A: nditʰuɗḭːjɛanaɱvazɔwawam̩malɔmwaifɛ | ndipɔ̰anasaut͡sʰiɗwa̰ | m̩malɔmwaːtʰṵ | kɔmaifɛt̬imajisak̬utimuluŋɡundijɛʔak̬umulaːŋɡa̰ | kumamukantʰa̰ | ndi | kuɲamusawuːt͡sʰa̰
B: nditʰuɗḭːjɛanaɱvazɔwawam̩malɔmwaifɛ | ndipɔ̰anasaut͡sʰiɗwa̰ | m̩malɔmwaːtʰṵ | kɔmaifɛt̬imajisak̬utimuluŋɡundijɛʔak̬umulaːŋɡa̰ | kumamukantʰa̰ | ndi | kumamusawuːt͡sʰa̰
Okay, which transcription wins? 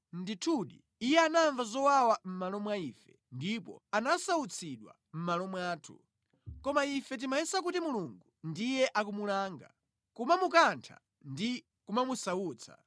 B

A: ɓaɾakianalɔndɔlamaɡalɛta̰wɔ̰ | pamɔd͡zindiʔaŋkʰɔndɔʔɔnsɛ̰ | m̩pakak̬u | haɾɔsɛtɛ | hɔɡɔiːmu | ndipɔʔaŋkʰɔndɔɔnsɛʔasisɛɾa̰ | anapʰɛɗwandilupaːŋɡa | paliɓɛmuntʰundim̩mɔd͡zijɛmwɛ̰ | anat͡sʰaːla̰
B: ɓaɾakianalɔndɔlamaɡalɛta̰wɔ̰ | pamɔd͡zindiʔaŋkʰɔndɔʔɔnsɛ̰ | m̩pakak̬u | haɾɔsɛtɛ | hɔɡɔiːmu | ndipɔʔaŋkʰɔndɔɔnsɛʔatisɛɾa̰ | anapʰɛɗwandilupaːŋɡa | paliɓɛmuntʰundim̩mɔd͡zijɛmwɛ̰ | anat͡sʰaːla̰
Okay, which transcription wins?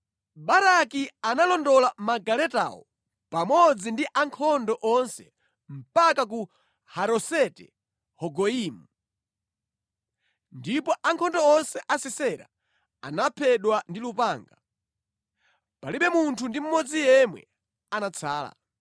A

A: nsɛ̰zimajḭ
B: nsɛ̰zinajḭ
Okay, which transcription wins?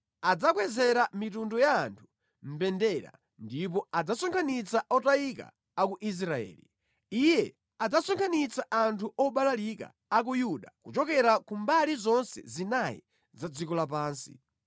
B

